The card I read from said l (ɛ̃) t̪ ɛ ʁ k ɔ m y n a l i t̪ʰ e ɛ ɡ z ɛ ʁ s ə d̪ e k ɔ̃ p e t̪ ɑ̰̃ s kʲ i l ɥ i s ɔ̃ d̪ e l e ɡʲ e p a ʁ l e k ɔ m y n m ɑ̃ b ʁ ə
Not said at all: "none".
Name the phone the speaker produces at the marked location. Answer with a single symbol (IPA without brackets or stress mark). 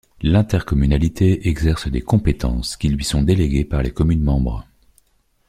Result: ɛ̃